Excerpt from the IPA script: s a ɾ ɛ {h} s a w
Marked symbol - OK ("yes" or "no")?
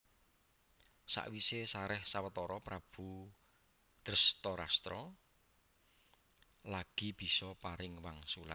yes